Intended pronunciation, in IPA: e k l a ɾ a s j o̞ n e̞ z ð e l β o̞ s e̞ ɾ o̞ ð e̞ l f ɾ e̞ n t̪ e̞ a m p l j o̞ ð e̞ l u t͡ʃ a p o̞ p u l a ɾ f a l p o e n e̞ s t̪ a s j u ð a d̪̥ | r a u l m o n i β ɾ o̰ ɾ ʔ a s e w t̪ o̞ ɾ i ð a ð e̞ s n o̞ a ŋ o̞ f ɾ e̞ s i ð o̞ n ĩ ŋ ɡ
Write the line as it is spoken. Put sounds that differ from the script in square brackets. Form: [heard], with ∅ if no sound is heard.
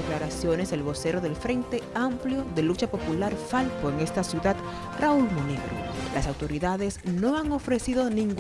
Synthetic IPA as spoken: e k l a ɾ a s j o̞ n e̞ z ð e l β o̞ s e̞ ɾ o̞ ð e̞ l f ɾ e̞ n t̪ e̞ a m p l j o̞ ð e̞ l u t͡ʃ a p o̞ p u l a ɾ f a l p o e [ŋ] e̞ s t̪ a s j u ð a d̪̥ | r a u l m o n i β ɾ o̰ [l] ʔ a s [a] w t̪ o̞ ɾ i ð a ð e̞ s n o̞ a ŋ o̞ f ɾ e̞ s i ð o̞ n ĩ ŋ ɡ